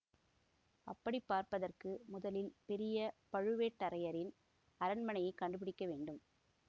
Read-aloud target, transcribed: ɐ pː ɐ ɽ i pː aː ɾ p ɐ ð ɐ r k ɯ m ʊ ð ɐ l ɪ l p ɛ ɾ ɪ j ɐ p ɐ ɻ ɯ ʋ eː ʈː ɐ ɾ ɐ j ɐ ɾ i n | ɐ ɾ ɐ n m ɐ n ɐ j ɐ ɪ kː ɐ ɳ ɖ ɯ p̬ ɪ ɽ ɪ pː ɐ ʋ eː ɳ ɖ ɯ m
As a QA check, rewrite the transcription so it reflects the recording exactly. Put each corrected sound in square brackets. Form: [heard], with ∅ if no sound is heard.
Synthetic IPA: ɐ pː ɐ ɽ i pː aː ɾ p ɐ ð ɐ r k ɯ m ʊ ð ɐ l ɪ l p ɛ ɾ ɪ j ɐ p ɐ ɻ ɯ ʋ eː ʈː ɐ ɾ ɐ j ɐ ɾ [ɪ] n | ɐ ɾ ɐ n m ɐ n ɐ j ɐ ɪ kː ɐ ɳ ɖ ɯ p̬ ɪ ɽ ɪ [kː] ɐ ʋ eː ɳ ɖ ɯ m